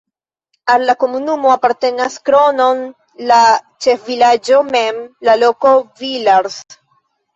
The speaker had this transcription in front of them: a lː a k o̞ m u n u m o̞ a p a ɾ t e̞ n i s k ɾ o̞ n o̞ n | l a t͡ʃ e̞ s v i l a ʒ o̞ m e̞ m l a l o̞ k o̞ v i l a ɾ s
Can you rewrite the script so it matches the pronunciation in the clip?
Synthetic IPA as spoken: a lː a k o̞ m u n u m o̞ a p a ɾ t e̞ n a s k ɾ o̞ n o̞ n | l a t͡ʃ e̞ f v i l a d͡ʒ o̞ m e̞ m l a l o̞ k o̞ v i l a ɾ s